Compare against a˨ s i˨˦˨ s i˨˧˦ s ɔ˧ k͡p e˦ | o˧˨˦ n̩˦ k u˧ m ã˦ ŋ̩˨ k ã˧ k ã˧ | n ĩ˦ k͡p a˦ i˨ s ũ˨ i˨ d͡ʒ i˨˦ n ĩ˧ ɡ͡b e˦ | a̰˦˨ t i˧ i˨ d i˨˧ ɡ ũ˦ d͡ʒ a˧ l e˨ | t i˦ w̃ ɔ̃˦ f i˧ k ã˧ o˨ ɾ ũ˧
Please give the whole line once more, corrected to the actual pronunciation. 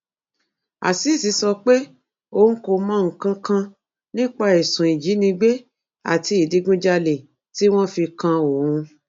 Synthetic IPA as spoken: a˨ s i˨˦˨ s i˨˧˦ s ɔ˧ k͡p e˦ | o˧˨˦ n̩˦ k o˧ m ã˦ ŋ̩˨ k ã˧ k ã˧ | n ĩ˦ k͡p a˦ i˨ s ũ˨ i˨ d͡ʒ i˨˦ n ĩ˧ ɡ͡b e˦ | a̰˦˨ t i˧ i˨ d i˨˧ ɡ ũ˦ d͡ʒ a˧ l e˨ | t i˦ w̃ ɔ̃˦ f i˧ k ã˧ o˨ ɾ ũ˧

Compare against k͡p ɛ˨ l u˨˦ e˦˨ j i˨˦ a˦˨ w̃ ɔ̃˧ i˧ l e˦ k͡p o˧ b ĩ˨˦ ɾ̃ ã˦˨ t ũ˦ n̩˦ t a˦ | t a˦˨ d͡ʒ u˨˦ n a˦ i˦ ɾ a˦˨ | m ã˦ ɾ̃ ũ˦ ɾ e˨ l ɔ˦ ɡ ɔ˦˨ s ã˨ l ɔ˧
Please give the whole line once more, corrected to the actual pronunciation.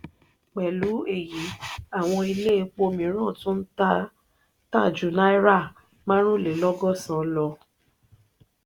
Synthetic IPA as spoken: k͡p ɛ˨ l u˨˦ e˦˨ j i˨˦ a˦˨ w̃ ɔ̃˧ i˧ l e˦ k͡p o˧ m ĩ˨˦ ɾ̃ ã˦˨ t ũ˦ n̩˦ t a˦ | t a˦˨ d͡ʒ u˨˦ n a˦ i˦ ɾ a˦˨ | m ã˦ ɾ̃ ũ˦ l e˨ l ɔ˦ ɡ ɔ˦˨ s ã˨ l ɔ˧

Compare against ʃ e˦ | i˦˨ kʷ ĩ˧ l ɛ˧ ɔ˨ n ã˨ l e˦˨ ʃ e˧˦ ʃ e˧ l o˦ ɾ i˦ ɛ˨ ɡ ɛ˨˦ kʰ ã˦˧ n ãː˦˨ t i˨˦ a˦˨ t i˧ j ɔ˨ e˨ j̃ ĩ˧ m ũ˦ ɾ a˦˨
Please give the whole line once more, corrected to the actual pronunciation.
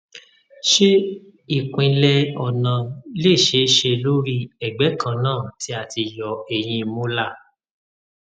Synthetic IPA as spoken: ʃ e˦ | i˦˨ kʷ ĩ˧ l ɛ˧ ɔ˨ n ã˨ l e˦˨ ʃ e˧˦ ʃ e˧ l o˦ ɾ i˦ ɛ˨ ɡ͡b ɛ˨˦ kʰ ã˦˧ n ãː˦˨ t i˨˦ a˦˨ t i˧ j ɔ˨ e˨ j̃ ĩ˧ m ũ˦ l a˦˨

